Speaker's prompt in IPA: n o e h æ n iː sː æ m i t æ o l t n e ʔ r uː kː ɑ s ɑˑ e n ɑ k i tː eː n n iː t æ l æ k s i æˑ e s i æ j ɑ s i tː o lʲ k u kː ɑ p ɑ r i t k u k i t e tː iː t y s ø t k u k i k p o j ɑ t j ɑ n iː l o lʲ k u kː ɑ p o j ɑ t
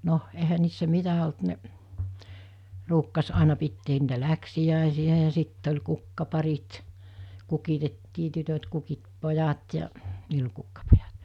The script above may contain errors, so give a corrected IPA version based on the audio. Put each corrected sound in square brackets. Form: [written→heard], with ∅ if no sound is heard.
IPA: n o e h æ n iː sː æ m i t æ o l t n e ʔ r uː kː ɑ s ɑˑ e n ɑ [k→p] i tː eː n n iː t æ l æ k s i æˑ e s i æ j ɑ s i tː o lʲ k u kː ɑ p ɑ r i t k u k i t e tː iː t y [s→t] ø t k u k i [k→t] p o j ɑ t j ɑ n iː l o lʲ k u kː ɑ p o j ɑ t